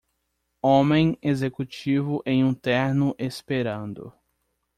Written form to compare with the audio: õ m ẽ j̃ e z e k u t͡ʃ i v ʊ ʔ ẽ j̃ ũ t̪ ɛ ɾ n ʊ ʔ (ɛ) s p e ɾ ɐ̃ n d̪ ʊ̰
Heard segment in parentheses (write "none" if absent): e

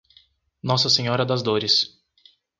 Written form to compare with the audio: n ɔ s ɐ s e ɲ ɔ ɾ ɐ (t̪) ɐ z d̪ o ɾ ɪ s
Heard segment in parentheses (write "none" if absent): d̪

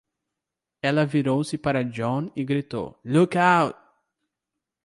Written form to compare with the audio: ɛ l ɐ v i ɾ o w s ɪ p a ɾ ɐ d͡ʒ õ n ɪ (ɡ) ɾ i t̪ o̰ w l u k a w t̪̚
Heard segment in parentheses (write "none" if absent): ɡ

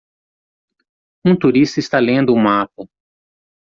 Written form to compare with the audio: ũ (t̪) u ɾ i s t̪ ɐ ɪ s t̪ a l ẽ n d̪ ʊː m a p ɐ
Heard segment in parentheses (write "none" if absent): t̪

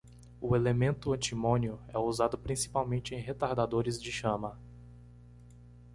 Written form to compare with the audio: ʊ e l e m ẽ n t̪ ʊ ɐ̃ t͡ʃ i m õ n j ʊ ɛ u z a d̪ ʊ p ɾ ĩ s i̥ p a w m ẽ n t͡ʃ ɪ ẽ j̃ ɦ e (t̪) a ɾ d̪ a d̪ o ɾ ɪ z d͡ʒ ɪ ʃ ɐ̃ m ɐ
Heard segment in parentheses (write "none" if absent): t̪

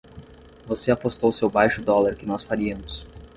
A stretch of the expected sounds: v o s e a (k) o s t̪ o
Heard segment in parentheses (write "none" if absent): p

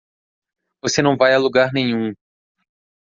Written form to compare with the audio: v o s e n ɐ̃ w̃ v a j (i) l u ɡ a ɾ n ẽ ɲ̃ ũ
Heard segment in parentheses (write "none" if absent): a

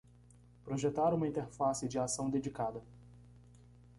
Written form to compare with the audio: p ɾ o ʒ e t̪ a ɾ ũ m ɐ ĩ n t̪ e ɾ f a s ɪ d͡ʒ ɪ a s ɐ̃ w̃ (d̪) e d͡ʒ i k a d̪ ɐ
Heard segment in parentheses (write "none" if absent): d̪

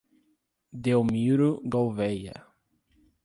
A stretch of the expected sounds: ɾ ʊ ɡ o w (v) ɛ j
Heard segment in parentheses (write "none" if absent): v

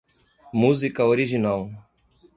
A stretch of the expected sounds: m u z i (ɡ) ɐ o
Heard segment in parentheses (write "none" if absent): k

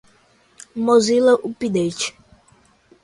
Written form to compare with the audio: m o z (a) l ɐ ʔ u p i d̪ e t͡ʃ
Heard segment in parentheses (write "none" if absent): i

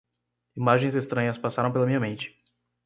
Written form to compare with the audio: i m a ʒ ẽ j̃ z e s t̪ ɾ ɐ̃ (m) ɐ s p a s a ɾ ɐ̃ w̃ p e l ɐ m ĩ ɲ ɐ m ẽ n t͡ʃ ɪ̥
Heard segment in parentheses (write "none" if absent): ɲ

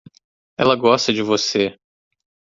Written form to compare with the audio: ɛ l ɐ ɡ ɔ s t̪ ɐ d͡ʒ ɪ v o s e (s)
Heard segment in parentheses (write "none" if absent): none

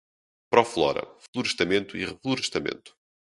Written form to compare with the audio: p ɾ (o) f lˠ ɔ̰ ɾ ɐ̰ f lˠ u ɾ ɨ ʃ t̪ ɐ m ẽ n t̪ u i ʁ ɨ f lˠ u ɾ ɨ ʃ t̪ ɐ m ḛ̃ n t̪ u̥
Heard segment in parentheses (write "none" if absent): ɔ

